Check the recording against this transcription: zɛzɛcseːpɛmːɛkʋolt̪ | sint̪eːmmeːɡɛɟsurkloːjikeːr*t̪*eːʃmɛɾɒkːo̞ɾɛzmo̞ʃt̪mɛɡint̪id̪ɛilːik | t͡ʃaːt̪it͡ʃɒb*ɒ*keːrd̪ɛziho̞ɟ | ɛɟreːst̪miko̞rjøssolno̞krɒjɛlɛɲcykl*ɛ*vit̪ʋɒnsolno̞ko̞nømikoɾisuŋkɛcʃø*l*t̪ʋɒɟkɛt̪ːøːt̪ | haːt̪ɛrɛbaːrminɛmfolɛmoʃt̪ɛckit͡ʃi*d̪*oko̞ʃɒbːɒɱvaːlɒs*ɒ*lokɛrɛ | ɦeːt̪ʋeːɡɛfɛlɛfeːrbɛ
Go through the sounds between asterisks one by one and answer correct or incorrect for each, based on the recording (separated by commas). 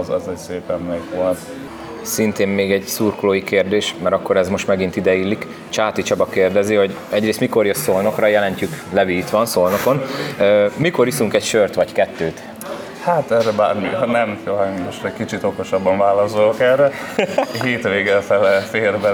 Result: incorrect, correct, correct, incorrect, incorrect, incorrect